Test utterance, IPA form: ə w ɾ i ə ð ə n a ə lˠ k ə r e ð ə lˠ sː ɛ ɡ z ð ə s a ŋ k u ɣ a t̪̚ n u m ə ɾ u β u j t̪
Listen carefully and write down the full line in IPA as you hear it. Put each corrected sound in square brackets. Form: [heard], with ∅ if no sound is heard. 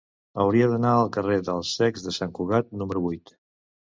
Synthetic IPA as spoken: ə w ɾ i ə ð ə n a ə lˠ k ə r e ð ə lˠ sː ɛ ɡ z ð ə s a ŋ k u ɣ a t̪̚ n u m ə ɾ u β u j t̪